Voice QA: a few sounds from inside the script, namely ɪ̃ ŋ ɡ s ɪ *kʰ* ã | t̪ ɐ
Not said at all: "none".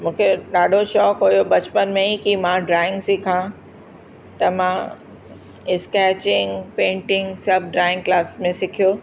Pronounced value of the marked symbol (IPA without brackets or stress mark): kʰ